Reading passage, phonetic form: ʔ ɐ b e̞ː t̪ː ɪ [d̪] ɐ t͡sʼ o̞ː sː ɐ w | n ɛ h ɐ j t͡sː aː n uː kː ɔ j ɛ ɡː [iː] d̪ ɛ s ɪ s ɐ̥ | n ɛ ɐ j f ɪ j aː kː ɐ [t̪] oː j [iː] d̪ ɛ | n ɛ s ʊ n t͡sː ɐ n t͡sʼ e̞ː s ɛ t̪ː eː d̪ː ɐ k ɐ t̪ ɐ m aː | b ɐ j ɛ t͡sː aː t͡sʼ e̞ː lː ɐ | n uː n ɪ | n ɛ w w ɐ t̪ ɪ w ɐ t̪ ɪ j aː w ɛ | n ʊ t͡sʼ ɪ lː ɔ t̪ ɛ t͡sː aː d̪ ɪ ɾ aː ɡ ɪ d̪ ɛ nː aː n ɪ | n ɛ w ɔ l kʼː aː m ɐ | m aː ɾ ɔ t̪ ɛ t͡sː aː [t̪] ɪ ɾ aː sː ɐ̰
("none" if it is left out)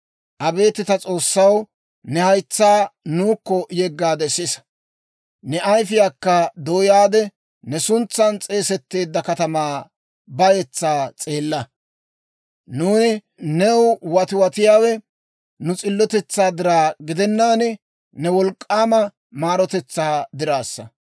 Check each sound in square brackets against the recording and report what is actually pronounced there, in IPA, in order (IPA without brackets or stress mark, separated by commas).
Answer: t̪, aː, d̪, aː, d̪